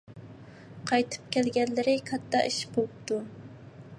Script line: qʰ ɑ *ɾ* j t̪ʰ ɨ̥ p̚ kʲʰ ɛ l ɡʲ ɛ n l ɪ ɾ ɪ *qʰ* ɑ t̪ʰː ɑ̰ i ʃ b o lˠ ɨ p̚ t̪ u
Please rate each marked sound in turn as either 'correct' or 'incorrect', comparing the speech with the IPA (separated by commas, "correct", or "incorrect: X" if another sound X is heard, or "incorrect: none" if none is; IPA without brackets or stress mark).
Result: incorrect: none, incorrect: kʰ